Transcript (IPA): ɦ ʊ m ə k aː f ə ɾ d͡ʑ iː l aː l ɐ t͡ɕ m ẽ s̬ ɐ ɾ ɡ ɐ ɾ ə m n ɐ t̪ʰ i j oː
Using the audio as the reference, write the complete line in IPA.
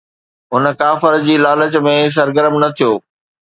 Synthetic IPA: ɦ ʊ n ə k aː f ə ɾ d͡ʑ iː l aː l ə t͡ɕ m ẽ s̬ ɐ ɾ ɡ ə ɾ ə m n ɐ t̪ʰ i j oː